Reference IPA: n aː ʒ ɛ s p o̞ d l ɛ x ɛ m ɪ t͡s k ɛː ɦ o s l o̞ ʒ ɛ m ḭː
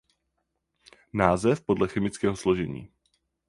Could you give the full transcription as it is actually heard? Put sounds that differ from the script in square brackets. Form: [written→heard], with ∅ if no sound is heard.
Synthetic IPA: n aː [ʒ→z] ɛ [s→f] p o̞ d l ɛ x ɛ m ɪ t͡s k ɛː ɦ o s l o̞ ʒ ɛ [m→ɲ] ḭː